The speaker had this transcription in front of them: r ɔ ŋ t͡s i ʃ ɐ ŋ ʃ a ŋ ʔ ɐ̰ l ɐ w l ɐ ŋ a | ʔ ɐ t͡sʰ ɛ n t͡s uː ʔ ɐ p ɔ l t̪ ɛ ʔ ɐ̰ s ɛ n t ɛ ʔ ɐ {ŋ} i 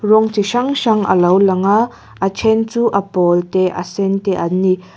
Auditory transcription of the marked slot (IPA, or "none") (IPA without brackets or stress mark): n